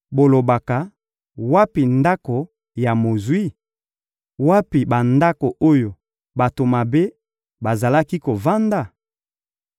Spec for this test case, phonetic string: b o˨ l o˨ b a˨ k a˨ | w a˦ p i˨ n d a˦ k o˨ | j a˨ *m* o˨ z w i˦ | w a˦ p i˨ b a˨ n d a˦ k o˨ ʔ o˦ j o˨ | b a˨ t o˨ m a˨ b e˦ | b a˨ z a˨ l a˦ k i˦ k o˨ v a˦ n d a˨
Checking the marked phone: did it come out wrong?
no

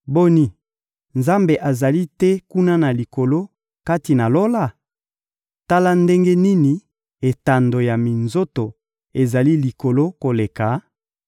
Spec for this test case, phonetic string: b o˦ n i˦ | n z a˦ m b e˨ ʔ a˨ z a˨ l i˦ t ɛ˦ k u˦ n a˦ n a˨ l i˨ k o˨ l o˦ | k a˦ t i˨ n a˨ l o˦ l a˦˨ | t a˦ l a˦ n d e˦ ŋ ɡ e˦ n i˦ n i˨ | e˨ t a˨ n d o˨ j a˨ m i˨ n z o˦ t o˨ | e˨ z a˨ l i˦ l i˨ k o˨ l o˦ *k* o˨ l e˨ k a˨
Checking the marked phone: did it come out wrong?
no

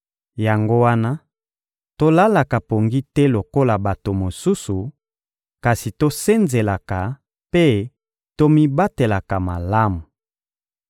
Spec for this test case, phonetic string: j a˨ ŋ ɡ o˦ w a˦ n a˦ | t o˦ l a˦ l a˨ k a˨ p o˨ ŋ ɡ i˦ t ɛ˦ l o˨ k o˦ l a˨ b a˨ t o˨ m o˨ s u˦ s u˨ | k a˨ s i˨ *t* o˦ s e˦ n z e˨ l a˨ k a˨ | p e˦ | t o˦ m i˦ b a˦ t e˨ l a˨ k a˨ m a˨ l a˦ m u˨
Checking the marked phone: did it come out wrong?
no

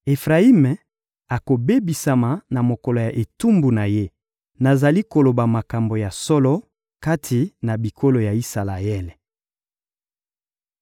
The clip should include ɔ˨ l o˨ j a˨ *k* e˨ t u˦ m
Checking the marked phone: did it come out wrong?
yes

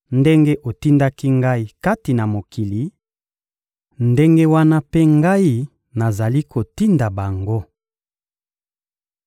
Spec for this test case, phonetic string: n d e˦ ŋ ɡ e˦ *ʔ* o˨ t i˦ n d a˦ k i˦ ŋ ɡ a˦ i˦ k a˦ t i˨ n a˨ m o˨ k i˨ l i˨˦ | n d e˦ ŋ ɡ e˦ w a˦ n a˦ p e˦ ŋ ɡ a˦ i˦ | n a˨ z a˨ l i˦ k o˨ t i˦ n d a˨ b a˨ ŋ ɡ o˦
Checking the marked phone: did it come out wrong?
no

